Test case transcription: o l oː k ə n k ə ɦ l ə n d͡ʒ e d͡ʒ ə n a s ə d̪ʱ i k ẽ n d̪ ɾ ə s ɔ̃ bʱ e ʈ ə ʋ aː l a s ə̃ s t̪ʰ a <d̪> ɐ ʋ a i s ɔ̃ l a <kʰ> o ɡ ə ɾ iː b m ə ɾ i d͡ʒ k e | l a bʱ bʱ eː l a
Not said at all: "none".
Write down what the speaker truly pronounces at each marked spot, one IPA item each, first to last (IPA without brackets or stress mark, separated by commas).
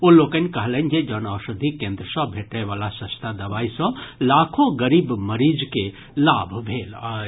d̪, kʰ